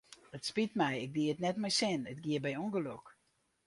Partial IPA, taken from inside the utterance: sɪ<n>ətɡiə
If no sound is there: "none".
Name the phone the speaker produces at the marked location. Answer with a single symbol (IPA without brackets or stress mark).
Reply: n